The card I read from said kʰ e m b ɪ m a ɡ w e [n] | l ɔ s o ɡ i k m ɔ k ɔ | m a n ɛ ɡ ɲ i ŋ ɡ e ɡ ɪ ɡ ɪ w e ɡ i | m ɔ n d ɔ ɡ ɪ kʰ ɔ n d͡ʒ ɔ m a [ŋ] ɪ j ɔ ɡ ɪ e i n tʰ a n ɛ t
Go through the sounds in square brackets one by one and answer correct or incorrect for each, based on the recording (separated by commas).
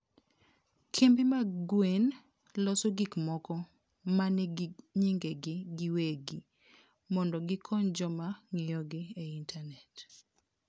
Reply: correct, correct